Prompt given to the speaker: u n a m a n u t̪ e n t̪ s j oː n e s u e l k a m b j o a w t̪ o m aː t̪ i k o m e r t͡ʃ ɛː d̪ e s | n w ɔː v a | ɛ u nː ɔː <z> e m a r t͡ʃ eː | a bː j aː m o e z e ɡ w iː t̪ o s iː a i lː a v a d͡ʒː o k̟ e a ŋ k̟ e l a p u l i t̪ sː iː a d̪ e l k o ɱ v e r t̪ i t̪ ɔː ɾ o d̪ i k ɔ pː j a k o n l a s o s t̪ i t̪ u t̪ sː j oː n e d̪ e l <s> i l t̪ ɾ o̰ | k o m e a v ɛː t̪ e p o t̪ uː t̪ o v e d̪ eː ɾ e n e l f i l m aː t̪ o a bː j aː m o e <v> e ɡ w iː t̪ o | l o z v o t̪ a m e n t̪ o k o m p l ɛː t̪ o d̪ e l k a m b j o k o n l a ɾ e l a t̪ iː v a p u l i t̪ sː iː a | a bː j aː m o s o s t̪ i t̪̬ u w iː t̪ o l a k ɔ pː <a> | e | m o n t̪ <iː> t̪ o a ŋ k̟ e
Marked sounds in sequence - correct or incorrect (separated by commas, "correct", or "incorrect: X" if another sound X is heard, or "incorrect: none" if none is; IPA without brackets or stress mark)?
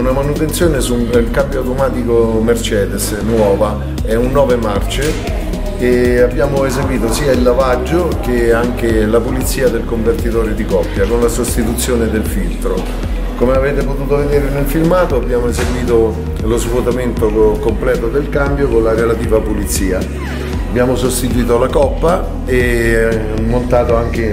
incorrect: v, incorrect: f, incorrect: z, correct, incorrect: aː